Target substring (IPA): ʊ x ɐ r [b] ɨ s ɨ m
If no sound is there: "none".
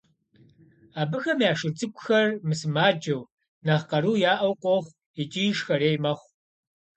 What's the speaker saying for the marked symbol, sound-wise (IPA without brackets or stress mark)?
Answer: m